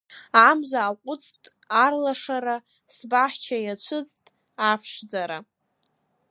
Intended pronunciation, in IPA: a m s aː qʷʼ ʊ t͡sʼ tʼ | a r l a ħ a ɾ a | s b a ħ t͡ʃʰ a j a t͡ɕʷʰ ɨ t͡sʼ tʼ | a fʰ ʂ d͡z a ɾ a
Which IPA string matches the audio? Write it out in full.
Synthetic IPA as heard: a m z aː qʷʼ ʊ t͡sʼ tʼ | a r l a ʂ a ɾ a | s b a ħ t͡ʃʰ a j a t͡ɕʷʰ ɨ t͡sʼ tʼ | a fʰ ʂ d͡z a ɾ a